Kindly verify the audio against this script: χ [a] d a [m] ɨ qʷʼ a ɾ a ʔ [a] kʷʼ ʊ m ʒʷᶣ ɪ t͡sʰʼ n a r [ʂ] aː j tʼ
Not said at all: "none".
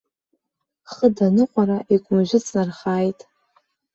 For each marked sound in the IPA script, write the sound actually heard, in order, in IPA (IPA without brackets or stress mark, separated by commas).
ə, n, i, χ